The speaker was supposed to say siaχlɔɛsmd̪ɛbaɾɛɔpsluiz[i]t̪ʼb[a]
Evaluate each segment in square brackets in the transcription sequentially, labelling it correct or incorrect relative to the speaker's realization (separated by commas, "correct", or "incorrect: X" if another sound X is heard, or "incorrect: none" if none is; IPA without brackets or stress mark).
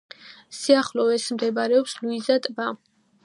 incorrect: a, correct